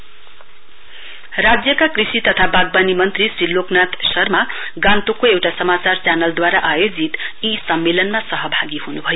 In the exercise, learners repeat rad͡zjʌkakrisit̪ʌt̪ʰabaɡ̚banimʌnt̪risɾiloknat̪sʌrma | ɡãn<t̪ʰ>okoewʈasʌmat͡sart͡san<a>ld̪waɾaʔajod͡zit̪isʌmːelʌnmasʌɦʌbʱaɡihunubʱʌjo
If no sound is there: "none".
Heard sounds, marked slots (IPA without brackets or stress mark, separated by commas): t̪, ʌ